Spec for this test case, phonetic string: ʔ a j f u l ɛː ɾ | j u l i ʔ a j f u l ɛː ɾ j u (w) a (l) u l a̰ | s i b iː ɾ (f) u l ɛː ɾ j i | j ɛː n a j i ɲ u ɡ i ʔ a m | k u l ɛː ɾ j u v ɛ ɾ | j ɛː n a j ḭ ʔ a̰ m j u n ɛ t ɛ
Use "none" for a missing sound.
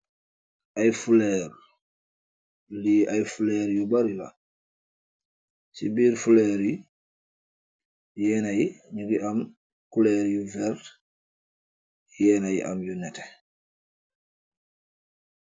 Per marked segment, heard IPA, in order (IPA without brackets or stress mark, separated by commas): b, ɾ, f